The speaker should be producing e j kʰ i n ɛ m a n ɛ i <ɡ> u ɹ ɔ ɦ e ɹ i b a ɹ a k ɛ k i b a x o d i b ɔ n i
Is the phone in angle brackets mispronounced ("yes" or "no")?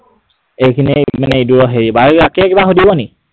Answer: yes